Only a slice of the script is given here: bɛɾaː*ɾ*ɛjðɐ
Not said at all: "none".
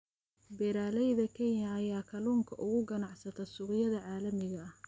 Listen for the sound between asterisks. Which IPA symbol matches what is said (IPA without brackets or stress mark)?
l